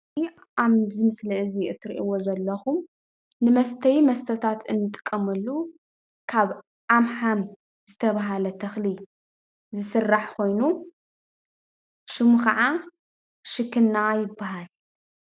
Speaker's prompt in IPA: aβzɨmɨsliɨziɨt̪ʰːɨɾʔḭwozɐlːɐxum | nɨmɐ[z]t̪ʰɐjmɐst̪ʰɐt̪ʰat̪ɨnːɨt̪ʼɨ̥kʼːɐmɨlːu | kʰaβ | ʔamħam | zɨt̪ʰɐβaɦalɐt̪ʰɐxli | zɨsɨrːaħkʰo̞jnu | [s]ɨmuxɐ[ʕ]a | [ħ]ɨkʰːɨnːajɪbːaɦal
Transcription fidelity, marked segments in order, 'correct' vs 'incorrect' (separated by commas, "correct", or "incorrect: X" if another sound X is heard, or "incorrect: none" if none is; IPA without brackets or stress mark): incorrect: s, incorrect: ʃ, correct, incorrect: ʃ